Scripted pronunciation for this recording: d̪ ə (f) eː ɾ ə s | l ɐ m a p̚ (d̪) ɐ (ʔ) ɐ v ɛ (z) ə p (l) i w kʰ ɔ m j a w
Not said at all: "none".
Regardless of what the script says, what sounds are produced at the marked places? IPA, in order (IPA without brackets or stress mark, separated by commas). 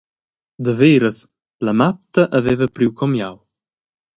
v, t̪, ʔ, v, ɾ